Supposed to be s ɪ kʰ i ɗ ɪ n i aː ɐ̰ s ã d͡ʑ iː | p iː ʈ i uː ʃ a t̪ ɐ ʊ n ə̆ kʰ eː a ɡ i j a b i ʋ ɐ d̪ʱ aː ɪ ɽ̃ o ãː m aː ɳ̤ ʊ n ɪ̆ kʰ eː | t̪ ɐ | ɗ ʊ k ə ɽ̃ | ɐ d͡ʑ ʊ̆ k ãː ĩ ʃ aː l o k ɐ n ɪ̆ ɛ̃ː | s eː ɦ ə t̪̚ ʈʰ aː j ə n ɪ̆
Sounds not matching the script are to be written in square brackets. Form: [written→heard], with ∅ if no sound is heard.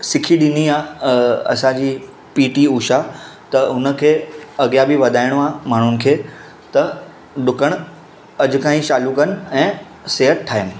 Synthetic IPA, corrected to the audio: s ɪ kʰ i ɗ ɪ n i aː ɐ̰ s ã d͡ʑ iː | p iː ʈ i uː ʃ a t̪ ɐ ʊ n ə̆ kʰ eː [a→ɐ] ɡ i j a b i ʋ ɐ d̪ʱ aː ɪ ɽ̃ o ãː m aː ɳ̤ ʊ n ɪ̆ kʰ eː | t̪ ɐ | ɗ ʊ k ə ɽ̃ | ɐ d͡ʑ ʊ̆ k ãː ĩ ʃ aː l [o→u] k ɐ n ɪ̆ ɛ̃ː | s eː ɦ ə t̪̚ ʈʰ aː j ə n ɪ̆